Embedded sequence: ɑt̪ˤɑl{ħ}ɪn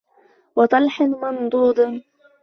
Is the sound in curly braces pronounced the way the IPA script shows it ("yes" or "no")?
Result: yes